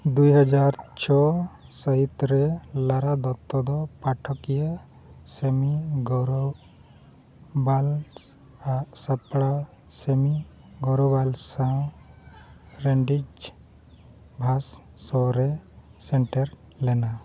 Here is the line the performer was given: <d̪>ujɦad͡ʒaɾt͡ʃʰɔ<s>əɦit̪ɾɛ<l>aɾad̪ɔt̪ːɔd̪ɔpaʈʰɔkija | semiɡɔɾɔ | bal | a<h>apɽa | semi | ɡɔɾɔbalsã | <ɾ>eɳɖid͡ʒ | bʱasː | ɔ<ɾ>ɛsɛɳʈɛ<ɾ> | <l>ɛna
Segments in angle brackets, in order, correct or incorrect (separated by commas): correct, correct, correct, incorrect, correct, correct, correct, correct